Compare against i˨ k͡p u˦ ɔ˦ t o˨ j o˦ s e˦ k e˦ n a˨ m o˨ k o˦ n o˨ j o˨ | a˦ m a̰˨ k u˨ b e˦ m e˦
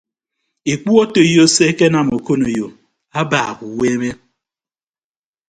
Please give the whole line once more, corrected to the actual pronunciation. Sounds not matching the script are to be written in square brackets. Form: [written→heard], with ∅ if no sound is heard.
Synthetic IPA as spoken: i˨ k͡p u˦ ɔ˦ t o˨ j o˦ s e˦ k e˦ n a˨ m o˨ k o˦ n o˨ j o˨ | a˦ [m→b] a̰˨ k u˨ [b→w] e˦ m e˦